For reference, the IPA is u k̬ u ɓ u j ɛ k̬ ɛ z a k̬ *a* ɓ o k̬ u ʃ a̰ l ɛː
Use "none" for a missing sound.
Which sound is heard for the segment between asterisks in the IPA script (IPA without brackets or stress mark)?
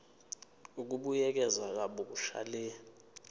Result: a